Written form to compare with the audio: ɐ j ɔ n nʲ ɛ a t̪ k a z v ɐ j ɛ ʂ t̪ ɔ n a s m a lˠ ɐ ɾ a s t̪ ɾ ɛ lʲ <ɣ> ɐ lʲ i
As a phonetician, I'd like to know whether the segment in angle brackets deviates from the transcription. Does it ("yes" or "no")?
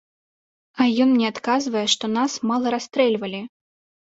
yes